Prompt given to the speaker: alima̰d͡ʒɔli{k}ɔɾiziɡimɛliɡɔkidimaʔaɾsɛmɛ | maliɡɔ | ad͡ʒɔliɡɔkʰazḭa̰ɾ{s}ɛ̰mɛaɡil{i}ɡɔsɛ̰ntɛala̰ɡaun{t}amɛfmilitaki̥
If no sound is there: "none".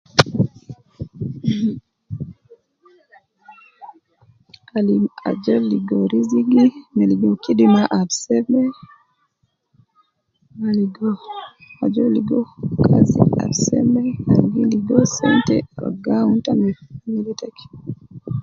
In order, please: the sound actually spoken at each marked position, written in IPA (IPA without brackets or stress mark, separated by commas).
ɡ, s, i, t